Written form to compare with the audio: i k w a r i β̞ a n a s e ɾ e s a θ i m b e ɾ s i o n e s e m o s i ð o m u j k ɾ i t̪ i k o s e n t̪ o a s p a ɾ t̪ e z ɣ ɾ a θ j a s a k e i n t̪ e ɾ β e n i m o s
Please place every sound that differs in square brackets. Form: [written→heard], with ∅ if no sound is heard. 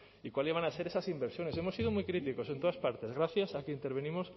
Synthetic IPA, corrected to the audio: i k w a [r→l] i β̞ a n a s e ɾ e s a [θ→s] i m b e ɾ s [i→j] o n e s e m o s i ð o m u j k ɾ i t̪ i k o s e n t̪ o a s p a ɾ t̪ e z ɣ ɾ a θ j a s a k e i n t̪ e ɾ β e n i m o s